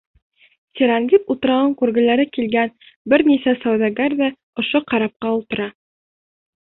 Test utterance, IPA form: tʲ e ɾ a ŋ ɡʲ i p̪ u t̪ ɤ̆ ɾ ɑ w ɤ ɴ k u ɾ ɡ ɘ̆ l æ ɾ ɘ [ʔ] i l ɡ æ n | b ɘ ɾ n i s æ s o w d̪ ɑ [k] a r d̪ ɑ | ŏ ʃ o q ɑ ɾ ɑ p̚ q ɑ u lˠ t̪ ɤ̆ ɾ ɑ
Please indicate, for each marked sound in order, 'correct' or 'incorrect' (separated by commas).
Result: incorrect, incorrect